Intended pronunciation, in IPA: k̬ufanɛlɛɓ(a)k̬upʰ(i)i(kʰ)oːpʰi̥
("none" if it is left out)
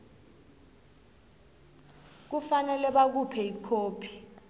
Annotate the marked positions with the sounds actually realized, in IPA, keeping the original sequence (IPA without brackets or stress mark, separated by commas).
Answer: a, ɛ, kʰ